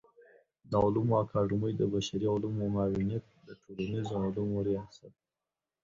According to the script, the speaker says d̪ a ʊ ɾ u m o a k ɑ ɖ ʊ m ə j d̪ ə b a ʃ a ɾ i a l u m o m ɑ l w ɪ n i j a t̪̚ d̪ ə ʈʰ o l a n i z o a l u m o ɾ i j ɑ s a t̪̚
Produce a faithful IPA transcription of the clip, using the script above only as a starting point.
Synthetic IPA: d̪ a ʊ l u m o a k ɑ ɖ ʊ m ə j d̪ ə b a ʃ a ɾ i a l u m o m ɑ w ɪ n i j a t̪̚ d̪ ə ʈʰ o l a n i z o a l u m o ɾ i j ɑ s a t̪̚